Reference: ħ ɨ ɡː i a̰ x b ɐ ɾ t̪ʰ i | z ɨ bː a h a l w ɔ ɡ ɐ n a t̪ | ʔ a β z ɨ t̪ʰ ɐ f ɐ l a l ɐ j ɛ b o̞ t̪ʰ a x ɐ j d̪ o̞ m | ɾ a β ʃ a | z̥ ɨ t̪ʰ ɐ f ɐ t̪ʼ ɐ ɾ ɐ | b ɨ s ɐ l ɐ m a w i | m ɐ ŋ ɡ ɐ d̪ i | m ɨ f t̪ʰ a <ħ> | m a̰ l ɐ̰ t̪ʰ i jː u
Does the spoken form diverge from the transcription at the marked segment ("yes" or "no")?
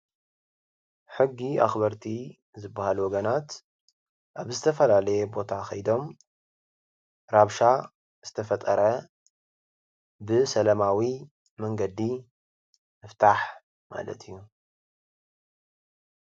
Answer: no